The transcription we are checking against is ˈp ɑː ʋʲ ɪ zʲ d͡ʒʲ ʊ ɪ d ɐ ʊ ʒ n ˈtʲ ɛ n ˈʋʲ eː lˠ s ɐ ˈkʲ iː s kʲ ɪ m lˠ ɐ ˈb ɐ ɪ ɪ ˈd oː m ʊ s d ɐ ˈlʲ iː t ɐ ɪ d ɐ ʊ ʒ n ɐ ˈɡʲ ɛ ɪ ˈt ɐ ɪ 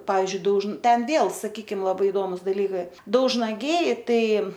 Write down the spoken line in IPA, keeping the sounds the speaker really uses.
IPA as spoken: ˈp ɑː ʋʲ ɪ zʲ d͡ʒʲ ʊ ɪ d ɐ ʊ ʒ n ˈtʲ ɛ n ˈʋʲ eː lˠ s ɐ ˈkʲ iː kʲ ɪ m lˠ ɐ ˈb ɐ ɪ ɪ ˈd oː m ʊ s d ɐ ˈlʲ iː k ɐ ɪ d ɐ ʊ ʒ n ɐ ˈɡʲ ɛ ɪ ˈt ɐ ɪ